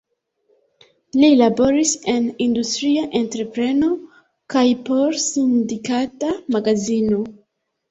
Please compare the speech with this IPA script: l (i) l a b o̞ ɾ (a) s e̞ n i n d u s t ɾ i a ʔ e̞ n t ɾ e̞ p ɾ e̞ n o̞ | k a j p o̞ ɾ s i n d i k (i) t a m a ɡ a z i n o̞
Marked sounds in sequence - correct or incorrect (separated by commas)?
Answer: correct, incorrect, incorrect